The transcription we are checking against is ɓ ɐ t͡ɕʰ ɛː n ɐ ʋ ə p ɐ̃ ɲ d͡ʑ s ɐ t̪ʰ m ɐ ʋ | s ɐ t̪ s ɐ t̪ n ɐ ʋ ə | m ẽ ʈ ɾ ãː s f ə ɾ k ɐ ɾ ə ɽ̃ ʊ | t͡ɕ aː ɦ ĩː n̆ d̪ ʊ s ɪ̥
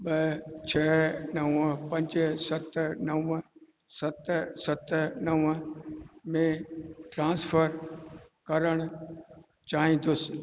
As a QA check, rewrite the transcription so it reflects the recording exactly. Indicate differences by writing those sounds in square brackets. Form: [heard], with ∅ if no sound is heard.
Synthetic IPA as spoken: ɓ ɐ t͡ɕʰ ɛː n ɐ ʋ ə p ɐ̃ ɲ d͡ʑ s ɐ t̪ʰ [n] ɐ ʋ | s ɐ t̪ s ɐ t̪ n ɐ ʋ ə | m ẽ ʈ ɾ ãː s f ə ɾ k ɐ ɾ ə ɽ̃ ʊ | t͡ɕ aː ɦ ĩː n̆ d̪ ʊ s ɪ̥